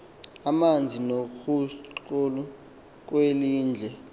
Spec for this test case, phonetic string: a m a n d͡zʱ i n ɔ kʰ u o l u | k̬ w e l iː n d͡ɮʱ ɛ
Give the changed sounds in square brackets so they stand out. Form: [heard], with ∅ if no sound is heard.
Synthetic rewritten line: a m a n d͡zʱ i n [o] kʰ u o l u | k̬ w e l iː n d͡ɮʱ ɛ